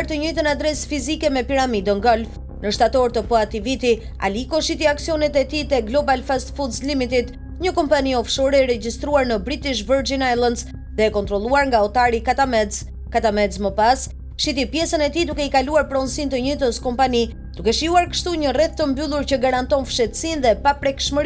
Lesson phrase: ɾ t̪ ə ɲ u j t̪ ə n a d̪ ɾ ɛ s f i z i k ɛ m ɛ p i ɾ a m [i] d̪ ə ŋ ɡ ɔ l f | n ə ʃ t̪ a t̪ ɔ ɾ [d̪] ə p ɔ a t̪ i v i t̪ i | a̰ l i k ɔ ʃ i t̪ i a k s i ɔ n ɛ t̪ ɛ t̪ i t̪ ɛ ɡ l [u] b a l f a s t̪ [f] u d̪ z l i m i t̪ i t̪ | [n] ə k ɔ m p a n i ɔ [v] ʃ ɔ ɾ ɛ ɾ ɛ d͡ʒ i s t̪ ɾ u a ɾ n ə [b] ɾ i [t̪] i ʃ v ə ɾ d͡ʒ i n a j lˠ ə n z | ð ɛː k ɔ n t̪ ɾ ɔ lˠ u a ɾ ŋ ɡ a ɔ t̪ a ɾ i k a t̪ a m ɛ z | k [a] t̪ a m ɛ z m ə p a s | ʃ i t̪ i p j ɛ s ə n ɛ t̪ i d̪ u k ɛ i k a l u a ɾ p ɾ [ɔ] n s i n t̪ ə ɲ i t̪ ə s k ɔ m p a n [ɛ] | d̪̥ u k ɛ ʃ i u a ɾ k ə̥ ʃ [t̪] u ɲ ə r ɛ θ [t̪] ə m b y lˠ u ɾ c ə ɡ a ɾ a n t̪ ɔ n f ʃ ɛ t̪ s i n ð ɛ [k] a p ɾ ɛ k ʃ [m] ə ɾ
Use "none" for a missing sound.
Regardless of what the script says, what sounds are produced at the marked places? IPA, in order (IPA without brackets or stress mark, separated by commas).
i, t̪, ɔ, f, ɲ, f, b, t̪, a, ɔ, i, t̪, t̪, p, m